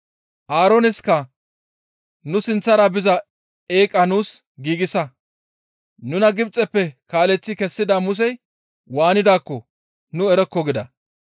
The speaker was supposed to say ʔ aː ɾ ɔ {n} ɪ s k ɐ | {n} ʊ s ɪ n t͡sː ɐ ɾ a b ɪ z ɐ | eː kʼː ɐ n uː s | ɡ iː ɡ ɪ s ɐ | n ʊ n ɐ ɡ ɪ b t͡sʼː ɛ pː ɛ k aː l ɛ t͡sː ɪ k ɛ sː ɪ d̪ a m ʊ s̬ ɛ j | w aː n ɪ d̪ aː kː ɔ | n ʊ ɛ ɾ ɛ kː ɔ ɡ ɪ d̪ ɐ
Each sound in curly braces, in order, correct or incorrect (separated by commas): correct, correct